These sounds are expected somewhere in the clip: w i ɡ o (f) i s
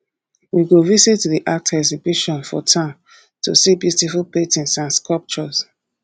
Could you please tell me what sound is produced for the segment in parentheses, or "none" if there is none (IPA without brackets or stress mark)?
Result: v